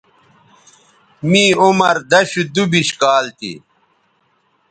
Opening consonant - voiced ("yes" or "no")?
yes